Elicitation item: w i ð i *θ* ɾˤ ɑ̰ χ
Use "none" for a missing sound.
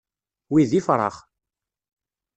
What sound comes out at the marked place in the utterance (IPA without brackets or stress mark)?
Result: f